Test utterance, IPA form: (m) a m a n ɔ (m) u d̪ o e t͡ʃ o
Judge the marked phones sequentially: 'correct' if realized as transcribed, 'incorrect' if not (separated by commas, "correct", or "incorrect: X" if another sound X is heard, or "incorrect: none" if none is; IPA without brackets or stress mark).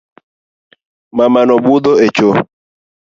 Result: correct, incorrect: b